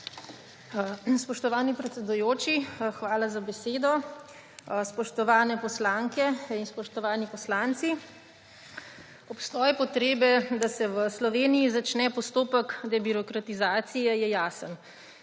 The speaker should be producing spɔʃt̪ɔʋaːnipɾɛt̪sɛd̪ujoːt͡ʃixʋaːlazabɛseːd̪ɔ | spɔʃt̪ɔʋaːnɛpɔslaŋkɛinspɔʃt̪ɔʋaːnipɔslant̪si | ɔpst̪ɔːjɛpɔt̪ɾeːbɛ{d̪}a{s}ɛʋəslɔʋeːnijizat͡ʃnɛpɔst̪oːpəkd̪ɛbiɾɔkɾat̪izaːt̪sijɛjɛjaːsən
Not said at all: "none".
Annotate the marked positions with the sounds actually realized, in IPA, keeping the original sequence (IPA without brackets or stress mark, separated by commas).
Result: d̪, s